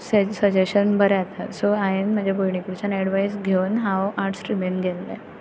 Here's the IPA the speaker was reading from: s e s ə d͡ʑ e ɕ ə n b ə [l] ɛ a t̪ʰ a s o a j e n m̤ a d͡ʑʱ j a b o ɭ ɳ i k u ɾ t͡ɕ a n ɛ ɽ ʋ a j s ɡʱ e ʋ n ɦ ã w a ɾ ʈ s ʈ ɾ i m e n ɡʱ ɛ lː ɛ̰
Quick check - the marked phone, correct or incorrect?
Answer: incorrect: ɾ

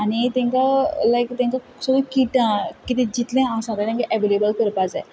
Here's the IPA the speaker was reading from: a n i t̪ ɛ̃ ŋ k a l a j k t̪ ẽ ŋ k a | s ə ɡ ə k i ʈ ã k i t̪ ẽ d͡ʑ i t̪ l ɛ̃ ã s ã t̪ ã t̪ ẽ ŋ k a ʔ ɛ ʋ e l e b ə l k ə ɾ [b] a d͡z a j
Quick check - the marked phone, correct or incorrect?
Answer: incorrect: p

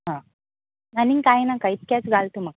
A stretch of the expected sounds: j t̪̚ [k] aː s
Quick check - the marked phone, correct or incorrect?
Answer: correct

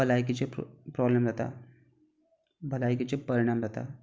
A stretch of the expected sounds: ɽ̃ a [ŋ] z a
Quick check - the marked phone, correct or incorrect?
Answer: incorrect: m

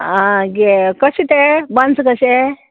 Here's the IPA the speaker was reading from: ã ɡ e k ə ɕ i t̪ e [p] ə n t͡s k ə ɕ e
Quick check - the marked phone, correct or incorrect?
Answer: incorrect: b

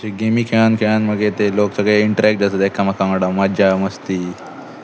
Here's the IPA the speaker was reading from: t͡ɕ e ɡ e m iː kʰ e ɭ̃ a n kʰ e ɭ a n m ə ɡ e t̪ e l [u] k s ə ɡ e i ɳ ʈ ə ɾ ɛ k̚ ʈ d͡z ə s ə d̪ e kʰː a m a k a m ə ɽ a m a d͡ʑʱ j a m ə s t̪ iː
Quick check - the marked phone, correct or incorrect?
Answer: incorrect: o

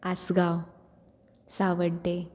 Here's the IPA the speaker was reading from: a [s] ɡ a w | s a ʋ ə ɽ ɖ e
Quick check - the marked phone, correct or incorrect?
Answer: correct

